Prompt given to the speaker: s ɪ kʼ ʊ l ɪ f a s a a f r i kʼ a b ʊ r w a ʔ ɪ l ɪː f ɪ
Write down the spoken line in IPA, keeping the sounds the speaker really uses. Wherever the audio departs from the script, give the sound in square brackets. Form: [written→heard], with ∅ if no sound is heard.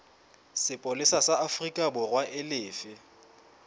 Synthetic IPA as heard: s ɪ [kʼ→pʼ] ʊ l ɪ [f→s] a s a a f r i kʼ a b ʊ r w a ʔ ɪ l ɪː f ɪ